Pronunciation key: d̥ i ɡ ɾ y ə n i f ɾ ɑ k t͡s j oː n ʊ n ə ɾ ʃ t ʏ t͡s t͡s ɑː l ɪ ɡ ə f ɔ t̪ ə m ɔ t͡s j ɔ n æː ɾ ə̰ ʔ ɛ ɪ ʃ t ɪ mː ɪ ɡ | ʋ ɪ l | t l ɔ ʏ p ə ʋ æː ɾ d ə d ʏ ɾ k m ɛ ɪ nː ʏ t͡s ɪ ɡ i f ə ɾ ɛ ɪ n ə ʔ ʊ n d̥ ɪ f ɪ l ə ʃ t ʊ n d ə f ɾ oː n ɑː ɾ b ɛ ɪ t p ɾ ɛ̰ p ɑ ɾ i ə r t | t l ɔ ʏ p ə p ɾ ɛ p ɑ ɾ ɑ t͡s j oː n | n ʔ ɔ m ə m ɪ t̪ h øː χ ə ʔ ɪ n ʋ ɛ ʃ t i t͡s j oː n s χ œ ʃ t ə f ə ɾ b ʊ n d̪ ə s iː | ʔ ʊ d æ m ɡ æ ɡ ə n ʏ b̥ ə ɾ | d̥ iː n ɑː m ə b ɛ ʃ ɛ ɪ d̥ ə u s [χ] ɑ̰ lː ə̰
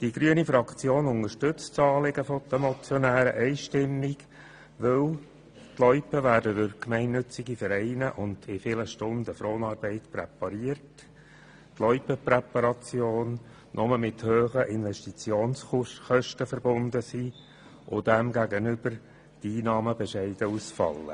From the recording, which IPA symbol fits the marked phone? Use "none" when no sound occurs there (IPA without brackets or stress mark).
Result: f